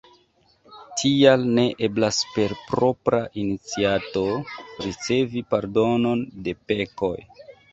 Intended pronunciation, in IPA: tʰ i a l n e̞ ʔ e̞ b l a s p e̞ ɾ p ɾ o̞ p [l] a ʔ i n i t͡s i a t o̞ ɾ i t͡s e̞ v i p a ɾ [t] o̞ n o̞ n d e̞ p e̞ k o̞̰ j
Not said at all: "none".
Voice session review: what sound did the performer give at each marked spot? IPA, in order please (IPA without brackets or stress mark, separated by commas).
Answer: ɾ, d